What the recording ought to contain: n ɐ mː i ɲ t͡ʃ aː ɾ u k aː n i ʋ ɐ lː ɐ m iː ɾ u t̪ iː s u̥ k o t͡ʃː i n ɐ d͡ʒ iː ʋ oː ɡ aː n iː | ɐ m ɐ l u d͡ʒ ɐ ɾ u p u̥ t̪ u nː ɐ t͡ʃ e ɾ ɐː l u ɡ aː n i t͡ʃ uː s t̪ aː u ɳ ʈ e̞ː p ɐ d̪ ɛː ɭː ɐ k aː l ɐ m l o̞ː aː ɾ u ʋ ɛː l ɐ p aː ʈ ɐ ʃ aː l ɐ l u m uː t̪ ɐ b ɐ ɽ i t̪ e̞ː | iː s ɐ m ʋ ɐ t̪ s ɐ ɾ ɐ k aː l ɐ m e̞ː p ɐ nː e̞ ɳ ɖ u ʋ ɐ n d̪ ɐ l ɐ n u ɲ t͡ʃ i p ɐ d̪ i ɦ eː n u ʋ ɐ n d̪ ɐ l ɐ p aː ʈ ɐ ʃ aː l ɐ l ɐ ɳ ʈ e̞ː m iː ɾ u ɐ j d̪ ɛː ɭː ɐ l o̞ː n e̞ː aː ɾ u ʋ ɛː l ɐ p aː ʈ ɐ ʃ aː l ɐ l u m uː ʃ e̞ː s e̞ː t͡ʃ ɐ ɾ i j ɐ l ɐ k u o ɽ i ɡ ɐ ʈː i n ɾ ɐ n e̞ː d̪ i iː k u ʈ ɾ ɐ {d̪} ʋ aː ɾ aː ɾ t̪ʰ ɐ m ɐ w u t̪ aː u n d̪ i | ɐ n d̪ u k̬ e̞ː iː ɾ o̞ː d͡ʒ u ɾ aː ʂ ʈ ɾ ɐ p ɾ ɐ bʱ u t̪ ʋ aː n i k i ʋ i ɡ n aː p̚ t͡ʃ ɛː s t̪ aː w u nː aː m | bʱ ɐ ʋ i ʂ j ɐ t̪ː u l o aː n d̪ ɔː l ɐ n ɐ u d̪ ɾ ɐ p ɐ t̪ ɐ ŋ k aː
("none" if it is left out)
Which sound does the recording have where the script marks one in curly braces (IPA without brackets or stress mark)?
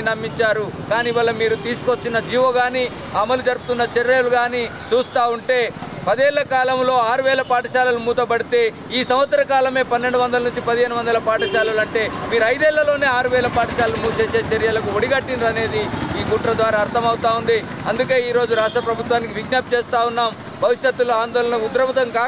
d̪